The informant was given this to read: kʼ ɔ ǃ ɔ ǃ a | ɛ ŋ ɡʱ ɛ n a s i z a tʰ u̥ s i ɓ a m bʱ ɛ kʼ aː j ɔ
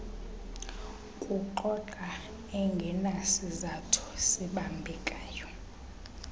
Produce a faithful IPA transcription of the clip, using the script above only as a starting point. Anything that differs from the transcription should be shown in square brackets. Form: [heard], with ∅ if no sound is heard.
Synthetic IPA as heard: kʼ [u] ǃ ɔ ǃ a | ɛ ŋ ɡʱ ɛ n a s i z a tʰ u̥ s i ɓ a m bʱ ɛ kʼ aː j ɔ